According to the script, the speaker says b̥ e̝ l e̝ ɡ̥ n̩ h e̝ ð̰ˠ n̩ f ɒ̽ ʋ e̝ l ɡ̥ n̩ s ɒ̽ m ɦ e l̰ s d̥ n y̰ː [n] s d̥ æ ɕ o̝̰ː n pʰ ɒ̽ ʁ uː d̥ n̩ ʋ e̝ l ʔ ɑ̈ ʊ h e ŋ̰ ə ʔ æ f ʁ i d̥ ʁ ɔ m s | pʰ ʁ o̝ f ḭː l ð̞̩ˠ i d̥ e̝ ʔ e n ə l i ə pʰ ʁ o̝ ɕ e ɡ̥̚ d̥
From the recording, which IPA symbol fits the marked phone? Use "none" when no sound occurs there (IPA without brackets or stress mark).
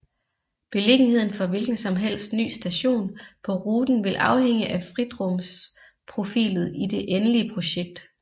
none